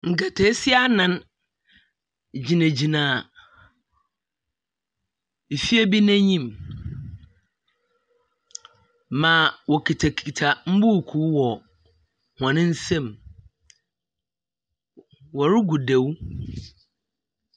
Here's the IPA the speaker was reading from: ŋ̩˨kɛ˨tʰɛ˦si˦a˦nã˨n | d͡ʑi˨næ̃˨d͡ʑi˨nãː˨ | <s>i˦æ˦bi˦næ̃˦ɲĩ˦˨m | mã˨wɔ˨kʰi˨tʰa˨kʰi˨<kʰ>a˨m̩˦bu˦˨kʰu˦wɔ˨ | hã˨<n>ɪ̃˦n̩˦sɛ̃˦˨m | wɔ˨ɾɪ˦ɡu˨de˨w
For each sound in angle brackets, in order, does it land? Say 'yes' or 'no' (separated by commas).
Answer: no, no, yes